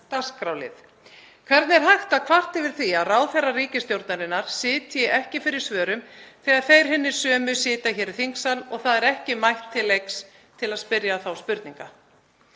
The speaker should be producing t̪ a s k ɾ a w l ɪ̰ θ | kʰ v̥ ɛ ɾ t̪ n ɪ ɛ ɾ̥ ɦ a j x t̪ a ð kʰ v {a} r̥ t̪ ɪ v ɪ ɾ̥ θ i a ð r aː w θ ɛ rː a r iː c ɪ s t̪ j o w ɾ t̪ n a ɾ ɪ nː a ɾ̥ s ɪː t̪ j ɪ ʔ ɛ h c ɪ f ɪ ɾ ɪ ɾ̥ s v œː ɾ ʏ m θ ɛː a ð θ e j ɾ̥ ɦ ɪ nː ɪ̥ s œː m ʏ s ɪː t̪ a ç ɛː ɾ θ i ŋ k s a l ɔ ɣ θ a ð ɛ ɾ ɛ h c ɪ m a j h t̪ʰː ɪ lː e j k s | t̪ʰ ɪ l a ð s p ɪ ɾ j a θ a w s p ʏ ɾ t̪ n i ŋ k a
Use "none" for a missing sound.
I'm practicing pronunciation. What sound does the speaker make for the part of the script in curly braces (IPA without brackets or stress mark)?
a